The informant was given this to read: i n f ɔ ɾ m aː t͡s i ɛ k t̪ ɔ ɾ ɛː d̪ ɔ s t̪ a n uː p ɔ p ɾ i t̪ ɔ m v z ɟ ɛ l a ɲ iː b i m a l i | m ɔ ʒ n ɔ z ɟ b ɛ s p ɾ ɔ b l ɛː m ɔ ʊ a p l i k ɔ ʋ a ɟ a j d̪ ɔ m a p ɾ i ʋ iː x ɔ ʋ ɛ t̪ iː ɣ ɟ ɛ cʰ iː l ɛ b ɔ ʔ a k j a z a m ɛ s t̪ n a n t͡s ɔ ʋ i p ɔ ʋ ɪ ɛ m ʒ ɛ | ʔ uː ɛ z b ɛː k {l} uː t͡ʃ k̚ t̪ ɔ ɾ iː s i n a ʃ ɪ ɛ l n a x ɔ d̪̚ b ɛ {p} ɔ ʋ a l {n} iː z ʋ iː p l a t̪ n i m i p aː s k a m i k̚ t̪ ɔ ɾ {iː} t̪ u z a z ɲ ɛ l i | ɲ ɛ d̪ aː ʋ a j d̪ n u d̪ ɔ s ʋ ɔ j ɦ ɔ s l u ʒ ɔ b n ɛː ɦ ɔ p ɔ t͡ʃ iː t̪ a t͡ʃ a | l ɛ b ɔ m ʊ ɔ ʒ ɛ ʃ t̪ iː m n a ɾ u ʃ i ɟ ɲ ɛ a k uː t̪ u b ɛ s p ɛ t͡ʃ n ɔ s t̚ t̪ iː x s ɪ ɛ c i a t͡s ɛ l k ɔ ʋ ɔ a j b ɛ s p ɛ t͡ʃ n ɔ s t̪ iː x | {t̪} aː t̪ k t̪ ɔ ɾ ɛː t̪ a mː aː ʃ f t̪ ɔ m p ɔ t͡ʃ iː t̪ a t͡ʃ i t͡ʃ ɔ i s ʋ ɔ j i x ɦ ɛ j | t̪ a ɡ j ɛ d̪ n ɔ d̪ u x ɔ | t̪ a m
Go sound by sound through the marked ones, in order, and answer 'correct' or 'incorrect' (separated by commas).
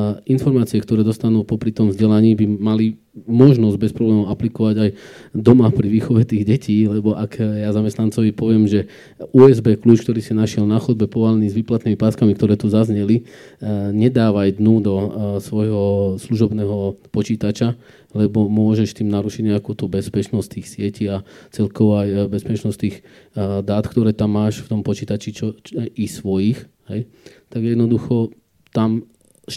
correct, correct, correct, incorrect, incorrect